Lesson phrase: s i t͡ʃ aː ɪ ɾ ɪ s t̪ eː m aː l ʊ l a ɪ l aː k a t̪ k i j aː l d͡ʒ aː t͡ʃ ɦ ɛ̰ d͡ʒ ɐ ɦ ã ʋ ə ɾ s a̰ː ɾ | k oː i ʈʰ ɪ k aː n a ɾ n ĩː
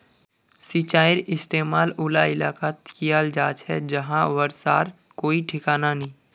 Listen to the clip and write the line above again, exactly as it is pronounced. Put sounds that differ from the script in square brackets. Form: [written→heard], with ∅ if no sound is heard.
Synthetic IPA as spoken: s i t͡ʃ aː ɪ ɾ ɪ s t̪ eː m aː l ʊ l a ɪ l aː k a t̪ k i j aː l d͡ʒ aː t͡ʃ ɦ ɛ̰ d͡ʒ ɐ ɦ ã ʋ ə ɾ s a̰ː ɾ | k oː i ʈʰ ɪ k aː n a [ɾ→∅] n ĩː